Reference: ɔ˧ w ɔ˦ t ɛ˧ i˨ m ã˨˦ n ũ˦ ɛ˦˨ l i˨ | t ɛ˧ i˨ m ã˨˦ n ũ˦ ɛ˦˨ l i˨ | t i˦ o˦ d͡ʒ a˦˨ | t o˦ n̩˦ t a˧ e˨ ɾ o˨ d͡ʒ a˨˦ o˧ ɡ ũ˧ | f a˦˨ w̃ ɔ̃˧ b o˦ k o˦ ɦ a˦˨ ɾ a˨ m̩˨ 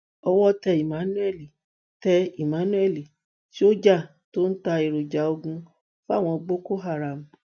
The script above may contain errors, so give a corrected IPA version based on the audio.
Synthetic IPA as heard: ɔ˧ w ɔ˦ t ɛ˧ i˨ m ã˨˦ n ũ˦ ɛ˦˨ l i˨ | t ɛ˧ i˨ m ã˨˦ n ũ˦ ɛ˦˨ l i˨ | t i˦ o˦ d͡ʒ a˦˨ | t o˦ n̩˦ t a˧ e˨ ɾ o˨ d͡ʒ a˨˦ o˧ ɡ ũ˧ | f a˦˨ w̃ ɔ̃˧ ɡ͡b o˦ k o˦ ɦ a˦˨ ɾ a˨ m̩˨

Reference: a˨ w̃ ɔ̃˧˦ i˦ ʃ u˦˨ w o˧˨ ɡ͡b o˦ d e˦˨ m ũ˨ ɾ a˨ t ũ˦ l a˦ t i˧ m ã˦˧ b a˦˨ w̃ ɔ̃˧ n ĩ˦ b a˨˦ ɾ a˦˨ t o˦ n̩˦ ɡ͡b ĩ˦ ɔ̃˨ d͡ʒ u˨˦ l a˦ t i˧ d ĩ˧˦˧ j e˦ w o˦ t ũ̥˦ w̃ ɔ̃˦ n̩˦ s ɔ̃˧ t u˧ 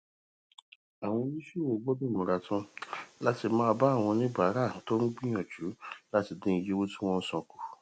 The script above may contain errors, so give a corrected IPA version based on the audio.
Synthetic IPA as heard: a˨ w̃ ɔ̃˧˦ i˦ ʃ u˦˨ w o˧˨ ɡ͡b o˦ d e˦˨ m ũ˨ ɾ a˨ t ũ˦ l a˦ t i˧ m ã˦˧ b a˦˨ w̃ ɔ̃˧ n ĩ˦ b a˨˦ ɾ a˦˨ t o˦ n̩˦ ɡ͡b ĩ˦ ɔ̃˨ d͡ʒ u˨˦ l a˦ t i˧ d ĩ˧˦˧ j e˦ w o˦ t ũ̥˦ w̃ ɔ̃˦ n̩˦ s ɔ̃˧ k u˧

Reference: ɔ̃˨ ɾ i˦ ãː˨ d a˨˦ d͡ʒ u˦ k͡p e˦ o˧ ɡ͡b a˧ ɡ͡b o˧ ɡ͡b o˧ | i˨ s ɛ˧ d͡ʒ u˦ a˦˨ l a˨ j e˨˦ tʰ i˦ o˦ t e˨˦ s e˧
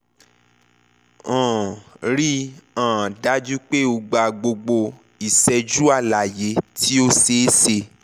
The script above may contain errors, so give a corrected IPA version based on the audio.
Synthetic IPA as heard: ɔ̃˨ ɾ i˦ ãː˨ d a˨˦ d͡ʒ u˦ k͡p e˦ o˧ ɡ͡b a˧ ɡ͡b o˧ ɡ͡b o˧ | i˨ s ɛ˧ d͡ʒ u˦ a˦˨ l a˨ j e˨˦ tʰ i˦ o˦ s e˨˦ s e˧

